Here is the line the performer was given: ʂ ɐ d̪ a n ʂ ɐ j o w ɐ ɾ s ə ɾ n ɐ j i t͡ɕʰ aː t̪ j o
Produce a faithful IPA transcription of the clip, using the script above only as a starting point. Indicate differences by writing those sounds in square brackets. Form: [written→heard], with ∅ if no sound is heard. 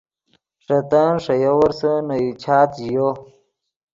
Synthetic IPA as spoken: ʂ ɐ [d̪→t̪] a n ʂ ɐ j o w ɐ ɾ s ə [ɾ→∅] n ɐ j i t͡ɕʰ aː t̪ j o